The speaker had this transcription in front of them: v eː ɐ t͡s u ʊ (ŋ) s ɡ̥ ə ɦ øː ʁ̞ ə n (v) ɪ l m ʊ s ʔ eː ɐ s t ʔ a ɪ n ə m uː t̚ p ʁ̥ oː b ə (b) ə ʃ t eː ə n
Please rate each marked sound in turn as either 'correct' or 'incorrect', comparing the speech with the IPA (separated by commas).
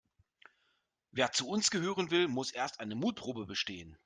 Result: incorrect, correct, correct